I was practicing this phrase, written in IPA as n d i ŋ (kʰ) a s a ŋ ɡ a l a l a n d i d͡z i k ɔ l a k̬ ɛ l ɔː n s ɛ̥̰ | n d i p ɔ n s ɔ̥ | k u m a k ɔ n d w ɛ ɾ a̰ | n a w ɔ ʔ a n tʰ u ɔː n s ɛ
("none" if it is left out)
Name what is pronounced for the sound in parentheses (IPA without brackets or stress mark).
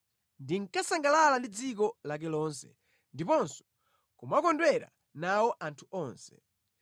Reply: k